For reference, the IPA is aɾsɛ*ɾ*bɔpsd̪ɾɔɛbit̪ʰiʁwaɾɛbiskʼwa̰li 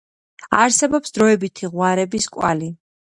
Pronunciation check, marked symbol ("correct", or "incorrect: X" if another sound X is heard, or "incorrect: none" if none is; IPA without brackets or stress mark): incorrect: none